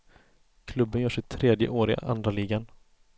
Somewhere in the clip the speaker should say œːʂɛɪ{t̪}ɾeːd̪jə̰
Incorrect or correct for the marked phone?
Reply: incorrect: t̪ʰ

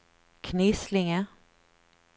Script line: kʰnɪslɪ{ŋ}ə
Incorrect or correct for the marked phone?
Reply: correct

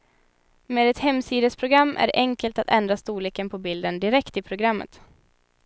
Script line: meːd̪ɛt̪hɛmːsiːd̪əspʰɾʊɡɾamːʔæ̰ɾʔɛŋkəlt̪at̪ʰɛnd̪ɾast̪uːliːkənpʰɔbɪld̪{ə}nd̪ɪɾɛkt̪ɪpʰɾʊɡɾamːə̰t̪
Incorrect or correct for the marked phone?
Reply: correct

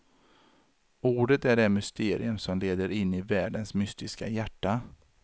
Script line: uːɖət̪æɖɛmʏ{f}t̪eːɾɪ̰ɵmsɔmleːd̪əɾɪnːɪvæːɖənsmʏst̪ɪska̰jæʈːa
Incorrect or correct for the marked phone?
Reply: incorrect: s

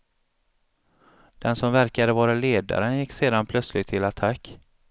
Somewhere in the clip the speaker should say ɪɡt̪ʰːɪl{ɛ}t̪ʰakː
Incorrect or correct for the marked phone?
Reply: incorrect: a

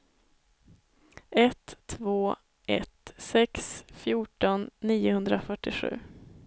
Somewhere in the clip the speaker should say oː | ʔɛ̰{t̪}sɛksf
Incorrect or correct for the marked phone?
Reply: correct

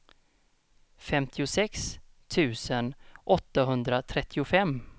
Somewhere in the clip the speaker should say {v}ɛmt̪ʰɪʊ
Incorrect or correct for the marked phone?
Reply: incorrect: f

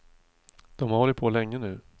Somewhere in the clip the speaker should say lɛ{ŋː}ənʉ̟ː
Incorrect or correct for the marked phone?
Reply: correct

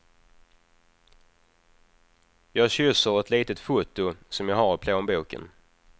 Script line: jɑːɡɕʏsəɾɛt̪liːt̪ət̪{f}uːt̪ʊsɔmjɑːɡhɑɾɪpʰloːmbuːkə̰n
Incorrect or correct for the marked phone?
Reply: correct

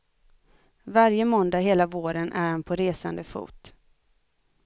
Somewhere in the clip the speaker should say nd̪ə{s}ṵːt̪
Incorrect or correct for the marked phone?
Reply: incorrect: f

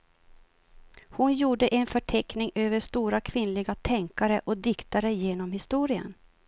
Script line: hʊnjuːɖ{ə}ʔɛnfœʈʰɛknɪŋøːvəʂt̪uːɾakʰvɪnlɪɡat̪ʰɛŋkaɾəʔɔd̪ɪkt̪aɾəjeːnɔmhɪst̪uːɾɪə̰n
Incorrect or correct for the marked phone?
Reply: correct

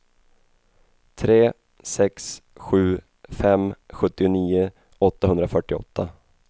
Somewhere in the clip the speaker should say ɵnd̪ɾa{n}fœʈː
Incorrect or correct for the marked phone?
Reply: incorrect: none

